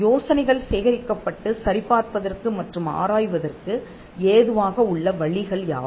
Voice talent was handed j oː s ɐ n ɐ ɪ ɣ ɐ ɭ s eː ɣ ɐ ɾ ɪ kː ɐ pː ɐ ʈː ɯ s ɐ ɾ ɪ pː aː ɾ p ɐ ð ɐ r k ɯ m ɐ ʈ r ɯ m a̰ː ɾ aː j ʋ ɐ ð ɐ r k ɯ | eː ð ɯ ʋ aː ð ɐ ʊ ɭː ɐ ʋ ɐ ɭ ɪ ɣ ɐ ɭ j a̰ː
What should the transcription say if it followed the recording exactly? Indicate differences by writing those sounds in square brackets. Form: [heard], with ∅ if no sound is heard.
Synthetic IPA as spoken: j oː s ɐ n ɐ ɪ ɣ ɐ ɭ s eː ɣ ɐ ɾ ɪ kː ɐ pː ɐ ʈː ɯ s ɐ ɾ ɪ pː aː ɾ p ɐ ð ɐ r k ɯ m ɐ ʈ r ɯ m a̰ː ɾ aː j ʋ ɐ ð ɐ r k ɯ | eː ð ɯ ʋ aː [ɣ] ɐ ʊ ɭː ɐ ʋ ɐ ɭ ɪ ɣ ɐ ɭ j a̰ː